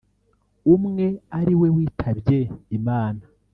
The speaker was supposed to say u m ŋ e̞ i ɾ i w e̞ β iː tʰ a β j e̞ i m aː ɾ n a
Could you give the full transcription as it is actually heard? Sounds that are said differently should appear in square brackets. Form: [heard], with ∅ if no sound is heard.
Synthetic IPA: u m ŋ e̞ [a] ɾ i w e̞ [w] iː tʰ a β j e̞ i m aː [∅] n a

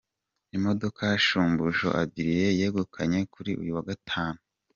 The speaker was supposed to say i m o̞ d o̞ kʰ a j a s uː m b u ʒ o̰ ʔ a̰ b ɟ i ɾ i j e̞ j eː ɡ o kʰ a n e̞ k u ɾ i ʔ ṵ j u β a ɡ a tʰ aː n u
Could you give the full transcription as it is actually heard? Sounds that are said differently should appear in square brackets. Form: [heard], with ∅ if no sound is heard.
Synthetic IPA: i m o̞ d o̞ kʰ a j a [ʃ] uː m b u ʒ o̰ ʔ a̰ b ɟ i ɾ i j e̞ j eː ɡ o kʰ a [ɲ] e̞ k u ɾ i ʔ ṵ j u [w] a ɡ a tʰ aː n u

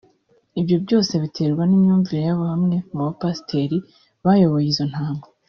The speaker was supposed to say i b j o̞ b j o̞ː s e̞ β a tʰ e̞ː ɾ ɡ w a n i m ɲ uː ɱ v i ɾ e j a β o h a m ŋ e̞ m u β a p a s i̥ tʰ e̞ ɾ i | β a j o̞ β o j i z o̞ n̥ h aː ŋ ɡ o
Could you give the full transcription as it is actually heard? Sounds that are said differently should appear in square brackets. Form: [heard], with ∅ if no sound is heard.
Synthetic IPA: i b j o̞ b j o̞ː s e̞ β [i] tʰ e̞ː ɾ ɡ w a n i m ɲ uː ɱ v i ɾ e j a β o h a m ŋ e̞ m u β a p a s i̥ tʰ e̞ ɾ i | β a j o̞ β o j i z o̞ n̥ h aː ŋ ɡ o

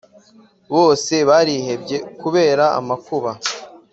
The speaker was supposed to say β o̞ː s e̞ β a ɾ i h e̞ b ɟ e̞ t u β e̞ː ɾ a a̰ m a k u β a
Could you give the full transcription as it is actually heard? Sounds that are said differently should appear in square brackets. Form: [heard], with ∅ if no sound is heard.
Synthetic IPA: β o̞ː s e̞ β a ɾ i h e̞ b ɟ e̞ [k] u β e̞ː ɾ a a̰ m a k u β a

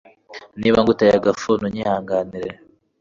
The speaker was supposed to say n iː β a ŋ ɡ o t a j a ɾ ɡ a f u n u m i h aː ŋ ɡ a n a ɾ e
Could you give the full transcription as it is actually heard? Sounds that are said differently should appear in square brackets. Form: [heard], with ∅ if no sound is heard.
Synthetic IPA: n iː β a ŋ ɡ [u] t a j a [∅] ɡ a f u n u [ɲ] i h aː ŋ ɡ a n [i] ɾ e

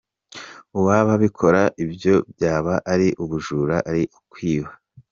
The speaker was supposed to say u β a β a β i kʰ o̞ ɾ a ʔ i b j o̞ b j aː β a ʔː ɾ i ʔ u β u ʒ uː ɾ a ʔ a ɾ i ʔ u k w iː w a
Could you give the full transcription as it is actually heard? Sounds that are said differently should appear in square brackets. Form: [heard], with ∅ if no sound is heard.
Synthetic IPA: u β a β a β i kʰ o̞ ɾ a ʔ i b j o̞ b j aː β a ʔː ɾ i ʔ u β u ʒ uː ɾ a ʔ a ɾ i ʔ u k w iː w a

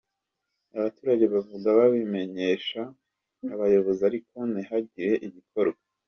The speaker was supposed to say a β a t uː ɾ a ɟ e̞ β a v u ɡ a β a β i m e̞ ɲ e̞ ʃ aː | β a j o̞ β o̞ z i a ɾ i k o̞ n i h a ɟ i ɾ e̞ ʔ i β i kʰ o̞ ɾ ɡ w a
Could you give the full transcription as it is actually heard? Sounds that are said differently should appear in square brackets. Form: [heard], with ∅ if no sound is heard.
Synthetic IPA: a β a t uː ɾ a ɟ e̞ β a v u ɡ a β a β i m e̞ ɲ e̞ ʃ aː | β a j o̞ β o̞ z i a ɾ i k o̞ n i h a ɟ i ɾ e̞ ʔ i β i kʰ o̞ ɾ ɡ w a

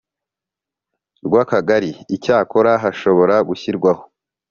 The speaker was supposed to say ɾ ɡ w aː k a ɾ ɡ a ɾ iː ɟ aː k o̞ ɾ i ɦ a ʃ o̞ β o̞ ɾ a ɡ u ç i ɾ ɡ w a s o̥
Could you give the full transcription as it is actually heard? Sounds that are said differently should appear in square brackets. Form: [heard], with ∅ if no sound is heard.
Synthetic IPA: ɾ ɡ w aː k a [∅] ɡ a ɾ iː [c] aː k o̞ ɾ [a] ɦ a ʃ o̞ β o̞ ɾ a ɡ u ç i ɾ ɡ w a [h] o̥

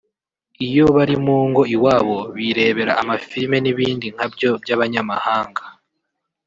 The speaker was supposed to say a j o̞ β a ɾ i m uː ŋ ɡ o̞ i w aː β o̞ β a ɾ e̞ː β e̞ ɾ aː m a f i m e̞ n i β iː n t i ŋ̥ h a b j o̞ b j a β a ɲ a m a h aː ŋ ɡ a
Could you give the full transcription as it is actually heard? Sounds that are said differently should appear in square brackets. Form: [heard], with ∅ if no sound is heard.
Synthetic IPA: [i] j o̞ β a ɾ i m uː ŋ ɡ o̞ i w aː β o̞ β [i] ɾ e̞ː β e̞ ɾ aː m a f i m e̞ n i β iː n [d] i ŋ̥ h a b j o̞ b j a β a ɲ a m a h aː ŋ ɡ a

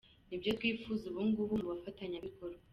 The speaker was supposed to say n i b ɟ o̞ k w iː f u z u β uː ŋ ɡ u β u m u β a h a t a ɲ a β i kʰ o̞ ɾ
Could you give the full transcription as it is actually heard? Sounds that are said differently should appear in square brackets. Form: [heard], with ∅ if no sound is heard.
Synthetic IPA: n i b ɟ o̞ [t] w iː f u z u β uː ŋ ɡ u β u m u β a [f] a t a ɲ a β i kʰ o̞ ɾ

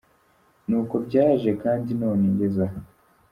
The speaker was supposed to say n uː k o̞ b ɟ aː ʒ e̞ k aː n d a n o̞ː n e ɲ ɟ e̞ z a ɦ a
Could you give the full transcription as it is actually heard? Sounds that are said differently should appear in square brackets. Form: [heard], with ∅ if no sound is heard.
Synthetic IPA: n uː k o̞ b ɟ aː ʒ e̞ k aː n d [i] n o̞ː n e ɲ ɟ e̞ z a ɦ a

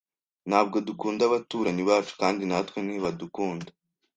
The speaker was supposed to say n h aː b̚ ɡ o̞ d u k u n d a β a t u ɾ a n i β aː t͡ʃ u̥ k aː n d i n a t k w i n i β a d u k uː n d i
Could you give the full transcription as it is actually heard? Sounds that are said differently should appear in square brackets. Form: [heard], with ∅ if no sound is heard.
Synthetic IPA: n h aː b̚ ɡ o̞ d u k [uː] n d a β a t u ɾ a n i β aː t͡ʃ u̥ k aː n d i n a t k w [e] n i β a d u k uː n d [a]

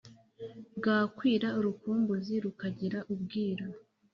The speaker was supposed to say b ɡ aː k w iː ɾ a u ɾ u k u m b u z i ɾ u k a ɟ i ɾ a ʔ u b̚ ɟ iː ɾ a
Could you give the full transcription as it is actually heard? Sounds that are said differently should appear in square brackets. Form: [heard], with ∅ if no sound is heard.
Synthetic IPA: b ɡ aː k w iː ɾ a u ɾ u k [uː] m b u z i ɾ u k a ɟ i ɾ a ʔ u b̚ [ɡ] iː ɾ a

